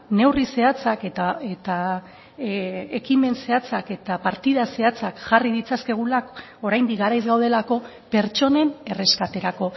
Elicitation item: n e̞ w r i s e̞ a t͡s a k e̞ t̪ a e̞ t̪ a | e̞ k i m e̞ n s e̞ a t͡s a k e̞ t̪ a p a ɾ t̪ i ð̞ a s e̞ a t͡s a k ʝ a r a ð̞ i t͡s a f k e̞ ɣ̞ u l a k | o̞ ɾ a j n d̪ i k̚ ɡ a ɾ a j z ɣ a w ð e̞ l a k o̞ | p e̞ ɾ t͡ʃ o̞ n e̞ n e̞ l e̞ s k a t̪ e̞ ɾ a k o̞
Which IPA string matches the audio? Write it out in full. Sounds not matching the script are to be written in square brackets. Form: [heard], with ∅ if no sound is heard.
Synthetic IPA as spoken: n e̞ w r i s e̞ a t͡s a k e̞ t̪ a e̞ t̪ a | e̞ k i m e̞ n s e̞ a t͡s a k e̞ t̪ a p a ɾ t̪ i ð̞ a s e̞ a t͡s a k ʝ a r [i] ð̞ i t͡s a [s] k e̞ ɣ̞ u l a k | o̞ ɾ a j n d̪ i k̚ ɡ a ɾ a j z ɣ a w ð e̞ l a k o̞ | p e̞ ɾ t͡ʃ o̞ n e̞ n e̞ [r] e̞ s k a t̪ e̞ ɾ a k o̞